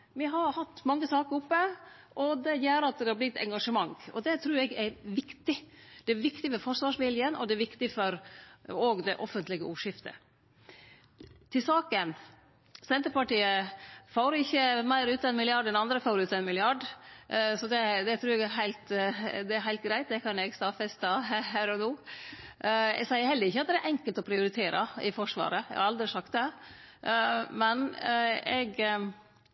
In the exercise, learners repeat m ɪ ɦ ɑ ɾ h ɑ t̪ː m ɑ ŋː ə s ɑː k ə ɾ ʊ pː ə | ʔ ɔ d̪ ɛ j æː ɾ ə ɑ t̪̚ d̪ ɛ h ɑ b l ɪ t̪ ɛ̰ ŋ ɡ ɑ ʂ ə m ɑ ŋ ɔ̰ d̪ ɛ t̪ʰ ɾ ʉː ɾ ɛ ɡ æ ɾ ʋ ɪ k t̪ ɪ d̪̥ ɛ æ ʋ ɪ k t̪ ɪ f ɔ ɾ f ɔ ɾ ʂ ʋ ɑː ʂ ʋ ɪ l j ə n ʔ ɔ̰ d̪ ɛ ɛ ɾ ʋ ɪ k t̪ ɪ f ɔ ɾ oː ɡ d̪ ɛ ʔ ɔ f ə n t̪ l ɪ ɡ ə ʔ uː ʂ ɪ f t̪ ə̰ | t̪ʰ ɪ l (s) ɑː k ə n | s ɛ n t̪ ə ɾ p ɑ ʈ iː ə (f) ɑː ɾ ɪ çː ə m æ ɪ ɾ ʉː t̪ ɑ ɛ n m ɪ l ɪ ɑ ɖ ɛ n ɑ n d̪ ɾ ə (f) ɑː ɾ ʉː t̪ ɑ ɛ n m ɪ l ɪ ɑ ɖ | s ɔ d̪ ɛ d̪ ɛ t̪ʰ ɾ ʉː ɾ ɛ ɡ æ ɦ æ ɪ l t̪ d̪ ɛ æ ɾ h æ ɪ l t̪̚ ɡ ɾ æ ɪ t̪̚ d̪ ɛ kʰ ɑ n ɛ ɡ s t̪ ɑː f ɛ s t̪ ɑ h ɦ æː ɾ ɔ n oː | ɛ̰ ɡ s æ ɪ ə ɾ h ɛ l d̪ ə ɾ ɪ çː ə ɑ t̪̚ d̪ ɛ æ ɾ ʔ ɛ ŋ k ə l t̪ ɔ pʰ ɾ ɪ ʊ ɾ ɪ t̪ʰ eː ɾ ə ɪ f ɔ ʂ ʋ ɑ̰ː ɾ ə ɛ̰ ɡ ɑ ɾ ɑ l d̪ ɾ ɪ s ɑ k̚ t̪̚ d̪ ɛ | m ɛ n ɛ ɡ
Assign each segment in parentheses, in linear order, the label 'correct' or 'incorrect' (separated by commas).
correct, correct, correct